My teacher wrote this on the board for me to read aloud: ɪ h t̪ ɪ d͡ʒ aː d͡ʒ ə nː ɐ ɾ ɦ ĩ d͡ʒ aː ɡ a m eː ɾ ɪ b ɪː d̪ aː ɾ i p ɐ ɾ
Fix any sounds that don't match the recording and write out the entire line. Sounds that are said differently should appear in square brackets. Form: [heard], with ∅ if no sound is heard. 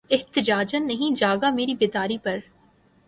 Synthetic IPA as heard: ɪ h t̪ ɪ d͡ʒ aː d͡ʒ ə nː ɐ [∅] ɦ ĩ d͡ʒ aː ɡ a m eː ɾ [i] b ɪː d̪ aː ɾ i p ɐ ɾ